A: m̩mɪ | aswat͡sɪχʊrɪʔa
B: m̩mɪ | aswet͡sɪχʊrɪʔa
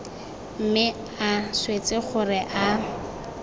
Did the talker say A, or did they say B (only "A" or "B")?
B